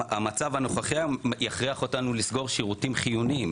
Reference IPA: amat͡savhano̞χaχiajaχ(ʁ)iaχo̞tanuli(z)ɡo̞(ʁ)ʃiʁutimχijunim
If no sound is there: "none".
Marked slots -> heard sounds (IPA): ʁ, s, ʁ

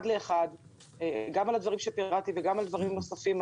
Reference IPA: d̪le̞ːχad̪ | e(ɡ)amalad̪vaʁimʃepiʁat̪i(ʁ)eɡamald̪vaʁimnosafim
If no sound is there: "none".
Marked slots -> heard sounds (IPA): ɡ, v

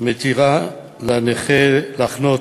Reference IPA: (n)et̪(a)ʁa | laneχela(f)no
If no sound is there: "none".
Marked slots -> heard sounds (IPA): m, i, χ

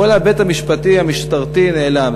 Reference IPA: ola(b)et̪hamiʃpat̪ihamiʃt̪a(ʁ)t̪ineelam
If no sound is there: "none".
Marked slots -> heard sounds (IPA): b, ʁ

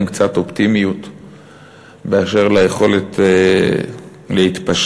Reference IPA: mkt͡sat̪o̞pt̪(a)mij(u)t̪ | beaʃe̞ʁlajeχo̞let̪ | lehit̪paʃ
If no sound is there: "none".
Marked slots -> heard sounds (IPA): i, u

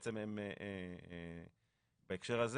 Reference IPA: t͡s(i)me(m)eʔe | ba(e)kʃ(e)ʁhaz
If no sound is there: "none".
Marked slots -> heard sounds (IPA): e, m, e, e

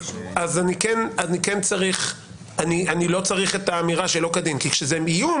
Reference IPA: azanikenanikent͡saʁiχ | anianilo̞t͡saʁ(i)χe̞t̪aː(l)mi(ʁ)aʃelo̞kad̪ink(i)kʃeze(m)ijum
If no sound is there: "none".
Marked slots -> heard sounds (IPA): i, none, ʁ, i, m

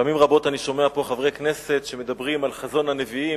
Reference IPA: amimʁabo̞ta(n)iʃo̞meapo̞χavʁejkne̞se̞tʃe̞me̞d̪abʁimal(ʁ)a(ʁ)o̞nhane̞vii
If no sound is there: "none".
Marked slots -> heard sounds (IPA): n, χ, z

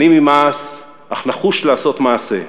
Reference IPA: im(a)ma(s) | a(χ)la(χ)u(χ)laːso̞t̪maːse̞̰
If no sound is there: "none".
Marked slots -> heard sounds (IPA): i, s, χ, χ, ʃ

